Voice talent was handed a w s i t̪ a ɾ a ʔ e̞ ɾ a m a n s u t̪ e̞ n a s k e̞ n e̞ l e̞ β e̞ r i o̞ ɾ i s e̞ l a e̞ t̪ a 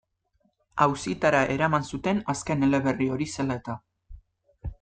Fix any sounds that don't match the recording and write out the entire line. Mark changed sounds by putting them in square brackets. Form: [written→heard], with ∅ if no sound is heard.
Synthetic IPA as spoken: a w s i t̪ a ɾ a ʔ e̞ ɾ a m a n s u t̪ e̞ n a s k e̞ n e̞ l e̞ β e̞ r i o̞ ɾ i s e̞ l a e̞ t̪ a